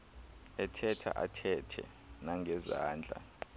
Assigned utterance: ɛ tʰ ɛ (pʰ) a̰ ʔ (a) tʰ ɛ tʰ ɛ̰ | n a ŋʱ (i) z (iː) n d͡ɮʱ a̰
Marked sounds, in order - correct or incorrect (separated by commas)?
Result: incorrect, correct, incorrect, incorrect